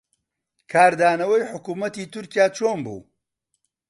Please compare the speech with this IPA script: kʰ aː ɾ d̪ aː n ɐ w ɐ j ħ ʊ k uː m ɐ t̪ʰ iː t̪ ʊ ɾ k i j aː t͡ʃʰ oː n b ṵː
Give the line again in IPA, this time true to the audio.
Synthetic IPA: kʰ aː ɾ d̪ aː n ɐ w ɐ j ħ ʊ k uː m ɐ t̪ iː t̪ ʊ ɾ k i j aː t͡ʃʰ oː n b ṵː